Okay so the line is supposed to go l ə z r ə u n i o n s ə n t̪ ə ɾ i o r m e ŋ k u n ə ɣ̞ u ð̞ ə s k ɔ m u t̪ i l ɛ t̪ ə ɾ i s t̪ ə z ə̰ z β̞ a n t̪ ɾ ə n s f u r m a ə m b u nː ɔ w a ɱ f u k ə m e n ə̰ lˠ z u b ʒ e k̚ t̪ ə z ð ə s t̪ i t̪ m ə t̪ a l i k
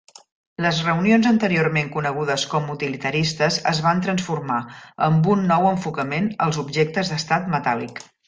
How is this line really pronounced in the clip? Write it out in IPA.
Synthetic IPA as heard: l ə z r ə u n i o n z ə n t̪ ə ɾ i o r m e ŋ k u n ə ɣ̞ u ð̞ ə s k ɔ m u t̪ i l i t̪ ə ɾ i s t̪ ə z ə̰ z β̞ a n t̪ ɾ ə n s f u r m a ə m b u nː ɔ w ə ɱ f u k ə m e n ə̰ lˠ z u b ʒ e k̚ t̪ ə z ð ə s t̪ a t̪ m ə t̪ a l i k